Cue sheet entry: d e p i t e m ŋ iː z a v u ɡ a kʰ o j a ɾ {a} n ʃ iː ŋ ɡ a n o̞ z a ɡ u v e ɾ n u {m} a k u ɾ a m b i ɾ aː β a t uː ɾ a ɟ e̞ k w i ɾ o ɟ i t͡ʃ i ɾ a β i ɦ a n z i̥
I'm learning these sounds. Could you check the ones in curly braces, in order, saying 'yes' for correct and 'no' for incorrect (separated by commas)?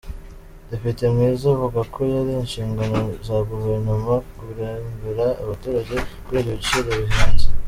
no, yes